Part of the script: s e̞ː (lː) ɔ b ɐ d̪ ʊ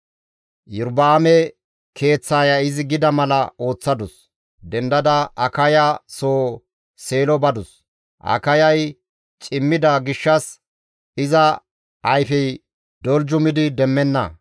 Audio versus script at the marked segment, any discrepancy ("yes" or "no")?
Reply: yes